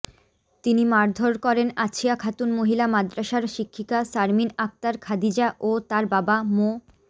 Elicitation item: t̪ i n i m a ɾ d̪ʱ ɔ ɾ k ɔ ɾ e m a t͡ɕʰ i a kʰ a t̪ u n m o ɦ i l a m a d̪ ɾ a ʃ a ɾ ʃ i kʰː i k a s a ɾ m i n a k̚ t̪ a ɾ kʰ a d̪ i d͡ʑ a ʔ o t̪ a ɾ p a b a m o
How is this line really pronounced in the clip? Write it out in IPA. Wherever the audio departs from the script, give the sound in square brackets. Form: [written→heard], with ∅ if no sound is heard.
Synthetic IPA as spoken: t̪ i n i m a ɾ d̪ʱ [ɔ→o] ɾ k ɔ ɾ e [m→n] a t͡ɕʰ i a kʰ a t̪ u n m o ɦ i l a m a d̪ ɾ a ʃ a ɾ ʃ i kʰː i k a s a ɾ m i n a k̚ t̪ a ɾ kʰ a d̪ i d͡ʑ a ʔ o t̪ a ɾ [p→b] a b a m o